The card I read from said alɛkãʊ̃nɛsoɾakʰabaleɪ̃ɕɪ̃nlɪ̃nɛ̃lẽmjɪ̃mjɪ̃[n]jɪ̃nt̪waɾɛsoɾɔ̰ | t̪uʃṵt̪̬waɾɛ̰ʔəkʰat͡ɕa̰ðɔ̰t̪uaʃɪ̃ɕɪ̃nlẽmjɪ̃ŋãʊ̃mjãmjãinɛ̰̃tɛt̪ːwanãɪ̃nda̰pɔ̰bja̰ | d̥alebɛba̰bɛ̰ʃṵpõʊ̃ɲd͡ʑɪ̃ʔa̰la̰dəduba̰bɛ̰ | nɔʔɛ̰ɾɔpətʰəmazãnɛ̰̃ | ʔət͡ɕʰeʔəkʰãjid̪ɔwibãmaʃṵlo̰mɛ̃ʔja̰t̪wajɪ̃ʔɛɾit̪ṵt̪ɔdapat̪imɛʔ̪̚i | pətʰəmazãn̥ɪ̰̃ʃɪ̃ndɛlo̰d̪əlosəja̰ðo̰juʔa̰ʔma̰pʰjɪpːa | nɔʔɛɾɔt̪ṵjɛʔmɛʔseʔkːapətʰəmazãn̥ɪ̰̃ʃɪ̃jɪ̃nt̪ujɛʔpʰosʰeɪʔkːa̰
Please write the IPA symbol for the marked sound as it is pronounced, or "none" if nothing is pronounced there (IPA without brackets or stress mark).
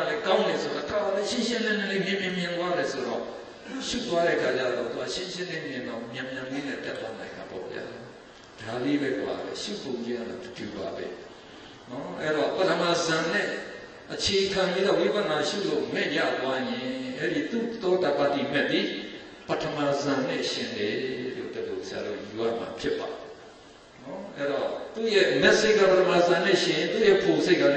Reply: m